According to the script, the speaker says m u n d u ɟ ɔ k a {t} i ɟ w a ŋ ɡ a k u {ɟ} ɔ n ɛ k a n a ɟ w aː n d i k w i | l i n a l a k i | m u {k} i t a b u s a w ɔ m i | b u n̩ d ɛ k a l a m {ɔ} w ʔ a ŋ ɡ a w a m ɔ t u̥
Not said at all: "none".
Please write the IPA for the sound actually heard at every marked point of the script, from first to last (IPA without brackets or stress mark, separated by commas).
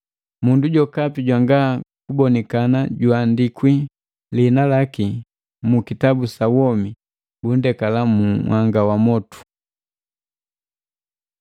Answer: p, b, k, u